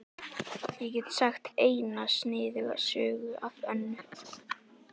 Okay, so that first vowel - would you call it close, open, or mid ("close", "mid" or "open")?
mid